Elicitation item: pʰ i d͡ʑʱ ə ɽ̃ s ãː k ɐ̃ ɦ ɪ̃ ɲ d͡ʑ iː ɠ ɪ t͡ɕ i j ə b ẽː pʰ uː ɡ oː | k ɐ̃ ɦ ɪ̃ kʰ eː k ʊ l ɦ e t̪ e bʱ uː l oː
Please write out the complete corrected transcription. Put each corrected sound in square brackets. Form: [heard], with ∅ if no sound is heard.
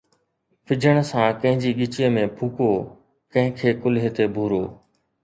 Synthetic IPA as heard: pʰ [ɪ] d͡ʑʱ ə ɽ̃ s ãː k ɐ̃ ɦ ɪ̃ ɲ d͡ʑ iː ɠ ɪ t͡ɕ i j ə [m] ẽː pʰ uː [k] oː | k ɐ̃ ɦ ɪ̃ kʰ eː k ʊ l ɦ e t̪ e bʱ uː [ɾ] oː